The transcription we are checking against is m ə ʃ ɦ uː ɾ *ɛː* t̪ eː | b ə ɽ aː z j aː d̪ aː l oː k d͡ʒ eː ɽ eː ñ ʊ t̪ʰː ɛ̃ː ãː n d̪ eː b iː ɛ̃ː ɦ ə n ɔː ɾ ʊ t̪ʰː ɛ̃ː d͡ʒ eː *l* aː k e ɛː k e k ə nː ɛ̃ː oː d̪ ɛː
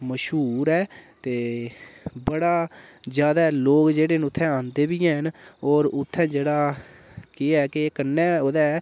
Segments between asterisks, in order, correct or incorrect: correct, incorrect

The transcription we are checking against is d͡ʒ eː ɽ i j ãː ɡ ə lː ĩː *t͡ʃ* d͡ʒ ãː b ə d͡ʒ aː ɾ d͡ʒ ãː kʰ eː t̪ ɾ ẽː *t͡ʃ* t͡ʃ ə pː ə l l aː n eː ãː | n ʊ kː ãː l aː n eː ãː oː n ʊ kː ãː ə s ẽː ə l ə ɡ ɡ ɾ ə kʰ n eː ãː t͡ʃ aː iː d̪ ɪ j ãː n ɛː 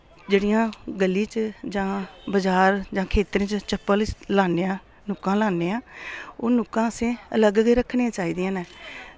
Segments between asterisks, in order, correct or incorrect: correct, correct

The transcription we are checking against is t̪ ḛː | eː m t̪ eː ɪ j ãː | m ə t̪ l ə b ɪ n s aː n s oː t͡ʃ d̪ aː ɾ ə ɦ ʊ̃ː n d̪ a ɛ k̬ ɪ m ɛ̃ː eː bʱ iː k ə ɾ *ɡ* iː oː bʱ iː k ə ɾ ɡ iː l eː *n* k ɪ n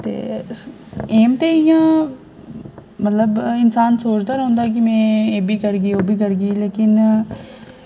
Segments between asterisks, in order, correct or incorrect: correct, incorrect

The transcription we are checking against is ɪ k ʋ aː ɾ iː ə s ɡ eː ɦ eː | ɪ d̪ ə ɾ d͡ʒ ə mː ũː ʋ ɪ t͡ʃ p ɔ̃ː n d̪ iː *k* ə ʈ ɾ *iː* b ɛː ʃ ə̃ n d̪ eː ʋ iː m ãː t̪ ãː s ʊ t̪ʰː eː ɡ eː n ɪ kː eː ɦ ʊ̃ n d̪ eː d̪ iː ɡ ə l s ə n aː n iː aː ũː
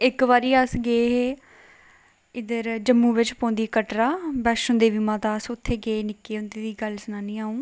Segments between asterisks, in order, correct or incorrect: correct, incorrect

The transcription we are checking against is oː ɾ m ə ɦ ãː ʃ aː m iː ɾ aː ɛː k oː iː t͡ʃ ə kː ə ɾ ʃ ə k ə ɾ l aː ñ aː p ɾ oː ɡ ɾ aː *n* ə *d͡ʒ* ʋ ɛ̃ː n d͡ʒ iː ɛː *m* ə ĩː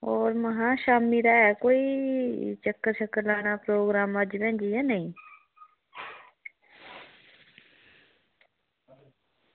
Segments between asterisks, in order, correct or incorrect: incorrect, correct, incorrect

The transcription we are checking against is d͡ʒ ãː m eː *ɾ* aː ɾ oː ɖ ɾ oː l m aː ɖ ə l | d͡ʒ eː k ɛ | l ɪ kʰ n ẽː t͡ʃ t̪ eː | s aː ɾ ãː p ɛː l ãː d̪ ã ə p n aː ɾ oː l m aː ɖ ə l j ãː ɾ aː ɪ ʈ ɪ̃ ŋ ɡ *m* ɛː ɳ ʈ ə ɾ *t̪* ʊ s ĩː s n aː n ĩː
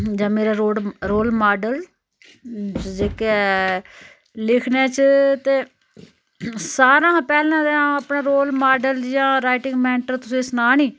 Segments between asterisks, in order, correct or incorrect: correct, correct, correct

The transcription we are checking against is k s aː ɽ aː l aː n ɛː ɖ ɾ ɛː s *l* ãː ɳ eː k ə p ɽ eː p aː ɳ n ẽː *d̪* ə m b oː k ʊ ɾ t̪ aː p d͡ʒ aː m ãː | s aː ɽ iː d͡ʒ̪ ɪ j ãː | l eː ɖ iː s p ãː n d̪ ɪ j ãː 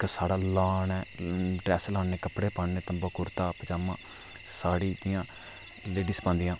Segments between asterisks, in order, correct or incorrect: correct, incorrect

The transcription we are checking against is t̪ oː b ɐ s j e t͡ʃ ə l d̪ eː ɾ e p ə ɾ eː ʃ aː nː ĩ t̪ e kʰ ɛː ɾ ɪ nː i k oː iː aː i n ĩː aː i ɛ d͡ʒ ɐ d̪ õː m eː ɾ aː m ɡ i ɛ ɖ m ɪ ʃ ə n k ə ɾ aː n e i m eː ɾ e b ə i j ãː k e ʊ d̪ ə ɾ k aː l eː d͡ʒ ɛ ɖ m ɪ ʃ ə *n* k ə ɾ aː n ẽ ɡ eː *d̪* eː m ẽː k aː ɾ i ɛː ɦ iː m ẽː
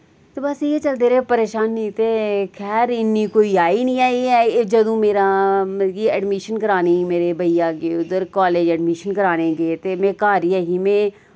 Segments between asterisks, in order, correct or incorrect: correct, incorrect

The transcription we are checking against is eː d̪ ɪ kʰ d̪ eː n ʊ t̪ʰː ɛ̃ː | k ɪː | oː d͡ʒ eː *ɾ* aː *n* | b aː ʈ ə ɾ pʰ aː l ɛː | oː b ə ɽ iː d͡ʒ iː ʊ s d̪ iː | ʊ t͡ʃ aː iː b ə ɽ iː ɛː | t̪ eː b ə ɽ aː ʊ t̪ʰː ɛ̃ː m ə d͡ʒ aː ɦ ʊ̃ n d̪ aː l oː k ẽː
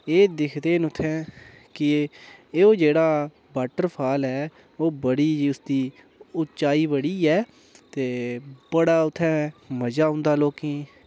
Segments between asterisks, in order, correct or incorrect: incorrect, incorrect

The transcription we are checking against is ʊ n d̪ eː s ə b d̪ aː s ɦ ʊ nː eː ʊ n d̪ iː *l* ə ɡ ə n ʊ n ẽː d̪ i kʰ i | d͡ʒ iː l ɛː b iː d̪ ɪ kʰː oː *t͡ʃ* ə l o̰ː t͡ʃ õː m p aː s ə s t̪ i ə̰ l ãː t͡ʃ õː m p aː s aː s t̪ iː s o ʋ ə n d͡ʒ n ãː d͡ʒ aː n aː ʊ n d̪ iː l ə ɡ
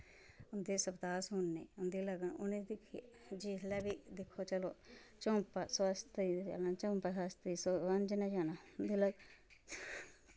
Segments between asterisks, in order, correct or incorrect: correct, correct

